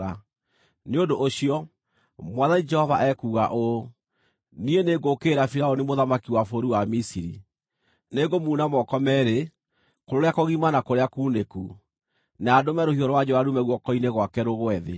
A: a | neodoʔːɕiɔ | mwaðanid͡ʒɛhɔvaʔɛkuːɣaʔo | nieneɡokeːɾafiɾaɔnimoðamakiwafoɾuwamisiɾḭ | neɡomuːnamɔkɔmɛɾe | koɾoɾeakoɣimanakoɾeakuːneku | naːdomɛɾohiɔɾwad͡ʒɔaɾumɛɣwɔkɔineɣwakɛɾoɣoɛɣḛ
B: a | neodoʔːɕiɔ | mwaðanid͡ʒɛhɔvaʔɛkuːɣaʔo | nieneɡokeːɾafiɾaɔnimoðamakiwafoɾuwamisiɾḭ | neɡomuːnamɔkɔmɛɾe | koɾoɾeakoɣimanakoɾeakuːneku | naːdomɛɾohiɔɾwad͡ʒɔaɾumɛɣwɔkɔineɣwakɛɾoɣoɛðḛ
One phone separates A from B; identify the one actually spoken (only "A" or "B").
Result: B